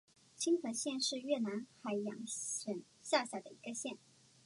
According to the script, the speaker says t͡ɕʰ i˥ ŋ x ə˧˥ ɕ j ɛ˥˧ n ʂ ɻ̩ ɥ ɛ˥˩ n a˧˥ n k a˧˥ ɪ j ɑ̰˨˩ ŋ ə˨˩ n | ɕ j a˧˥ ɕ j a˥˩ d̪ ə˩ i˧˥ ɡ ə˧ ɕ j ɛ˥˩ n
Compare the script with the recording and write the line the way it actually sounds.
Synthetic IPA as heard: t͡ɕʰ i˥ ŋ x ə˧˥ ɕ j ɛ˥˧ n ʂ ɻ̩ ɥ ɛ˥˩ n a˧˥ n x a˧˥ ɪ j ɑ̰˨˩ ŋ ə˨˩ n | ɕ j a˥˧ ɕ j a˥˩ d̪ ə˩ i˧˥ ɡ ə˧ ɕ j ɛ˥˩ n